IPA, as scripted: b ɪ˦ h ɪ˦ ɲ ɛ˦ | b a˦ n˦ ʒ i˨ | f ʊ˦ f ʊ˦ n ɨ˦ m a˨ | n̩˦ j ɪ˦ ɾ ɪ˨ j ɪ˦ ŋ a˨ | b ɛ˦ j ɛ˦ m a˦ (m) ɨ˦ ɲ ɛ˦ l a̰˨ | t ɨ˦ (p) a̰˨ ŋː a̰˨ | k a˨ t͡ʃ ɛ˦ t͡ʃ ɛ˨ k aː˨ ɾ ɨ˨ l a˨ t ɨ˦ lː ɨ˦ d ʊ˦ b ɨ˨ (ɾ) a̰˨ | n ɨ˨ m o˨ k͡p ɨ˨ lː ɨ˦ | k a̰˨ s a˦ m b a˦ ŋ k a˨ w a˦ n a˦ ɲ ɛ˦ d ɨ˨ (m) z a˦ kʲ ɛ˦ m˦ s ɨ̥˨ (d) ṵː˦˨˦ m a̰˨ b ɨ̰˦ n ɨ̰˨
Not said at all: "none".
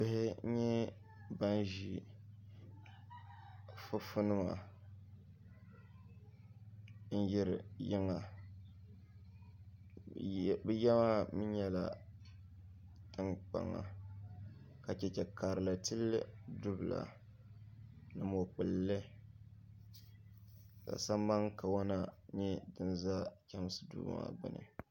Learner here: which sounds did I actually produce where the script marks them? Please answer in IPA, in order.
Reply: m, k͡p, l, n, d

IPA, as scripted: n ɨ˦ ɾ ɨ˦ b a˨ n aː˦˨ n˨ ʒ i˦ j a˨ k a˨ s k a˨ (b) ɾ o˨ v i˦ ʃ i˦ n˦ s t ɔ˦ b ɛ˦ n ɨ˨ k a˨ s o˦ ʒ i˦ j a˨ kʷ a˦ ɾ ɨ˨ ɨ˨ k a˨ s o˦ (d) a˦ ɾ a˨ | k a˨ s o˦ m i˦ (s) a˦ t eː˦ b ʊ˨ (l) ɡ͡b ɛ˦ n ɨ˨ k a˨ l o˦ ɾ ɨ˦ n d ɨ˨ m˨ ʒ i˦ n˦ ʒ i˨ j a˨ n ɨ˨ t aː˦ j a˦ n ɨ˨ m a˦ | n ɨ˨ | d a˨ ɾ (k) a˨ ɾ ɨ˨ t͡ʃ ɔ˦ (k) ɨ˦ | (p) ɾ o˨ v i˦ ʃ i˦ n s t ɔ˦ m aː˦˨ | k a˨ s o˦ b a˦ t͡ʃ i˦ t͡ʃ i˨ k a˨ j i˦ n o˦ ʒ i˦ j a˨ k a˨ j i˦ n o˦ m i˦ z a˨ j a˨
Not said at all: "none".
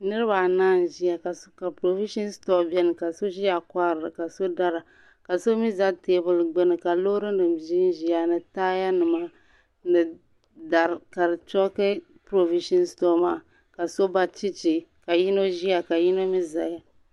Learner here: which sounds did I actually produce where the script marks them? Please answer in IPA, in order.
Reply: p, d, z, l, k, k, p

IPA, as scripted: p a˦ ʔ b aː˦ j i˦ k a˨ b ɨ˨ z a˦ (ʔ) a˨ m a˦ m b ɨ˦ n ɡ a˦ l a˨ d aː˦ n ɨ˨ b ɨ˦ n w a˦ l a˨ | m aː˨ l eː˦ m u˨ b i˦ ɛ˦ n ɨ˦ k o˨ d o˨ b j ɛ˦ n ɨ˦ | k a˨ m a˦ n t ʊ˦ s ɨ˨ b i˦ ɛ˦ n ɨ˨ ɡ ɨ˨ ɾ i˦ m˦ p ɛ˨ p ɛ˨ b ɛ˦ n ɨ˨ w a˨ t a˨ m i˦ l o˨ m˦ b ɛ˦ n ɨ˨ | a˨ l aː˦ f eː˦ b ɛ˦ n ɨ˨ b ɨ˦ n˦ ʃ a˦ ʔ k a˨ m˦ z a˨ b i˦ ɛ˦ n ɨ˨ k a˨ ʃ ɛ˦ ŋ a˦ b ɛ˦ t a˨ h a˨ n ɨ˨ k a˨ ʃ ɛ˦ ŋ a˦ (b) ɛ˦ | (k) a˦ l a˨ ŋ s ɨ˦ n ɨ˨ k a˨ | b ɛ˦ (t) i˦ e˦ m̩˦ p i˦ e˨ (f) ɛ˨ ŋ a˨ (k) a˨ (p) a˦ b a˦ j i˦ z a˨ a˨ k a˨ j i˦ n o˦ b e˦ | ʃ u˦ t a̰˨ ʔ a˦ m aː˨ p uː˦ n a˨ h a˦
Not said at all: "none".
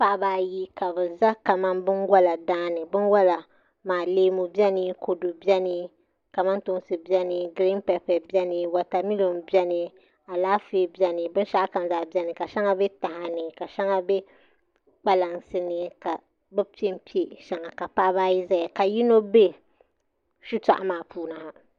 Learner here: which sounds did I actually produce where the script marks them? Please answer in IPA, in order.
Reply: k, b, k͡p, p, ʃ, k, p

